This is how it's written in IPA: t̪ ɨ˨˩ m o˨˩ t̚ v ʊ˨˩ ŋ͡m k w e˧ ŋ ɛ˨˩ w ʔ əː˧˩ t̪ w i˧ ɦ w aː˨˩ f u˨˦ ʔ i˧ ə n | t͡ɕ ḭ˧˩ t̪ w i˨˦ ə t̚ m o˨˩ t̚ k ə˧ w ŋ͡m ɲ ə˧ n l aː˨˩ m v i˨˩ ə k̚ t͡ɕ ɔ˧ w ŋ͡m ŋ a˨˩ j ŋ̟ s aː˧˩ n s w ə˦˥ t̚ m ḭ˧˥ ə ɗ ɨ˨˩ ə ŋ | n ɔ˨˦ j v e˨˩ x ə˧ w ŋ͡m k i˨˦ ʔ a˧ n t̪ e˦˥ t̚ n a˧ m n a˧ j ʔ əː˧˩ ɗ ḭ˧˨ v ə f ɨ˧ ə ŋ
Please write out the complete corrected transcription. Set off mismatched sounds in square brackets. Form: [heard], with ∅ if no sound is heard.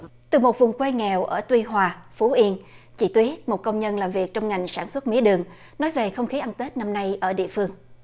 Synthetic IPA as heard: t̪ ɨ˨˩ m o˨˩ t̚ v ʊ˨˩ ŋ͡m k w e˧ ŋ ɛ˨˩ w ʔ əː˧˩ t̪ w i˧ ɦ w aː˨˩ f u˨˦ ʔ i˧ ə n | t͡ɕ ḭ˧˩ t̪ w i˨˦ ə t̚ m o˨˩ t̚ k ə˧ w ŋ͡m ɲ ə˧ n l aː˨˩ m v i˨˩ ə k̚ t͡ɕ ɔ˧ w ŋ͡m ŋ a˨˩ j ŋ̟ s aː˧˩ n s w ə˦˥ t̚ m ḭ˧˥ ə ɗ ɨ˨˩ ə ŋ | n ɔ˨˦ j v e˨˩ x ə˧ w ŋ͡m [x] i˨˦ ʔ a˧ n t̪ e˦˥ t̚ n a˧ m n a˧ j ʔ əː˧˩ ɗ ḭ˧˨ [∅] ə f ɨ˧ ə ŋ